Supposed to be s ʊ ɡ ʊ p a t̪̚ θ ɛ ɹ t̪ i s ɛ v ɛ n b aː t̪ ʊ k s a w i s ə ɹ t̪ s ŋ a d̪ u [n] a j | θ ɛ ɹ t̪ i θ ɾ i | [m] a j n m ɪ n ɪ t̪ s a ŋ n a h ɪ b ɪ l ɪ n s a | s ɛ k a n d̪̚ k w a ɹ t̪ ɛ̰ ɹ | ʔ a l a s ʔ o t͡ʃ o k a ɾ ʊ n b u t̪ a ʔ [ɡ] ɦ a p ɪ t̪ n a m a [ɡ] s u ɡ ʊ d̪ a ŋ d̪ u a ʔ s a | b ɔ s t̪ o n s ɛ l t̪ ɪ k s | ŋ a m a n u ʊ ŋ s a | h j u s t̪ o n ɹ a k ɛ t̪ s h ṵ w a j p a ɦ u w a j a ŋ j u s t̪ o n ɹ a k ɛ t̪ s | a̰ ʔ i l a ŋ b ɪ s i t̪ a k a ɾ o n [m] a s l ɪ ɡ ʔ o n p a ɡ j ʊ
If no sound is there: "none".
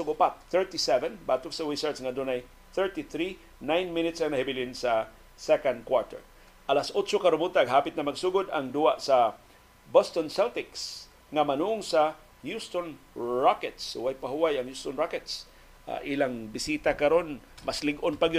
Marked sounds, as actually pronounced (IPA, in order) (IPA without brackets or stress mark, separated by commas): n, n, ɡ, ɡ, m